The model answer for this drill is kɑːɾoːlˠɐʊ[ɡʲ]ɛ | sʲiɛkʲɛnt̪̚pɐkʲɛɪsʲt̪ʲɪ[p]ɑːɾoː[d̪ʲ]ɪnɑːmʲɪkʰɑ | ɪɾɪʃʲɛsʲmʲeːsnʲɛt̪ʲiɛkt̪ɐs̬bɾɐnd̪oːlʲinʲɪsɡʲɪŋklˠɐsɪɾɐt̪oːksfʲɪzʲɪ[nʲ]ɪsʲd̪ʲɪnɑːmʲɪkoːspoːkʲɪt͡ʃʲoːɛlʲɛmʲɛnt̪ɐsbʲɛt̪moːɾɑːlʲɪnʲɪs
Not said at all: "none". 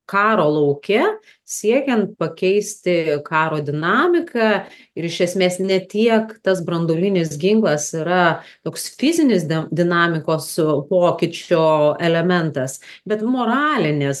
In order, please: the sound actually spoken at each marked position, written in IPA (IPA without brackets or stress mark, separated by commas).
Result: kʲ, k, d̪ʲ, nʲ